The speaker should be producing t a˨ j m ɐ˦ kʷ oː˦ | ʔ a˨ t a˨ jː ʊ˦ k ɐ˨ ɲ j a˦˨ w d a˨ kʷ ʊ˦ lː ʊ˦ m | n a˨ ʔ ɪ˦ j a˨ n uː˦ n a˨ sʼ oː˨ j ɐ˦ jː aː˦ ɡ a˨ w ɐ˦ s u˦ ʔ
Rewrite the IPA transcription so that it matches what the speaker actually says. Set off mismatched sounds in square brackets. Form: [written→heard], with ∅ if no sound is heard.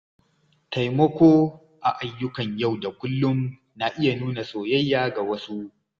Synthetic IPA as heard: t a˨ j m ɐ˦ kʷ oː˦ | ʔ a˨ [t→ʔ] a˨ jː ʊ˦ k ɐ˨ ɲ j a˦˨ w d a˨ kʷ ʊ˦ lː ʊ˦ m | n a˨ ʔ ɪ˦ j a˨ n uː˦ n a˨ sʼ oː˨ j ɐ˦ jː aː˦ ɡ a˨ w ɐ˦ s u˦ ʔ